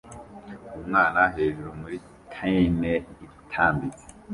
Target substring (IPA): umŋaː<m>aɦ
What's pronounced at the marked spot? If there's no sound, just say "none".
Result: n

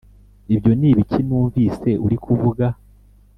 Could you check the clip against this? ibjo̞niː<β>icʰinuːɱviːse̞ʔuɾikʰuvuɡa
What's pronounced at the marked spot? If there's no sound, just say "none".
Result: β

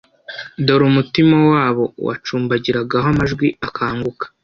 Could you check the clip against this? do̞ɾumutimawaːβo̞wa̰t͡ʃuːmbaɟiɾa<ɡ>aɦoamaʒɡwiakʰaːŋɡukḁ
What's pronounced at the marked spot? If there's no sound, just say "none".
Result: ɡ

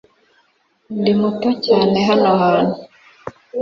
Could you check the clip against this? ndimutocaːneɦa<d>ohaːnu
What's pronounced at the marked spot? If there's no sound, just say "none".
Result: n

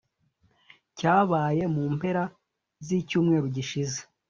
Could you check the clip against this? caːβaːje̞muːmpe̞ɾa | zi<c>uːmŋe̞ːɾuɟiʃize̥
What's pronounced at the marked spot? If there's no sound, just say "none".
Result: c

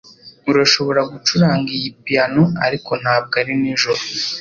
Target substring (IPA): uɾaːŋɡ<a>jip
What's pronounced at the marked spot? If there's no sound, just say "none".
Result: i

